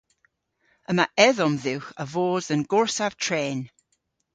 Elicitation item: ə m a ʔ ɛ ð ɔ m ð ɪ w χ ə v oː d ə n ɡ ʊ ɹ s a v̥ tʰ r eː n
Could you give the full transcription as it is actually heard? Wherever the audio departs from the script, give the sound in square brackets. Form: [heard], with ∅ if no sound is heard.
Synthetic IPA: ə m a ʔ ɛ ð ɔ m ð ɪ w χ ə v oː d ə n ɡ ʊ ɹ s a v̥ tʰ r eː n